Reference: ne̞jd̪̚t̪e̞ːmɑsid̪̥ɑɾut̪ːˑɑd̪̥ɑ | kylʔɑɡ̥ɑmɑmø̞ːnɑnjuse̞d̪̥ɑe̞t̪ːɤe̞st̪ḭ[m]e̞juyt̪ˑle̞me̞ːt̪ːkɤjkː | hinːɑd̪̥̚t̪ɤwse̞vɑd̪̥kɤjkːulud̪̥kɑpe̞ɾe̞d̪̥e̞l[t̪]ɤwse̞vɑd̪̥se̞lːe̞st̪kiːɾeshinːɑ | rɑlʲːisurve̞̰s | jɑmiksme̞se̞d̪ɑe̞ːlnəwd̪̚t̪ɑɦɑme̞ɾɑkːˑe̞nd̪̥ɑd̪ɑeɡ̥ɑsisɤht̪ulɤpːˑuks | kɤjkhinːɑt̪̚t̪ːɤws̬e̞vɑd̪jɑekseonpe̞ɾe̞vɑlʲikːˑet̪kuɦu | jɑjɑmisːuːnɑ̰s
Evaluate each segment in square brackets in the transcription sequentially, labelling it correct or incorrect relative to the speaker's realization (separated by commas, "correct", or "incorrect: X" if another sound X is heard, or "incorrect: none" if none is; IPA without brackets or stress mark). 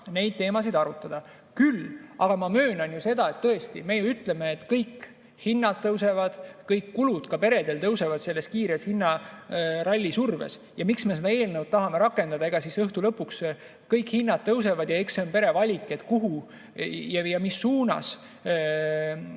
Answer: correct, correct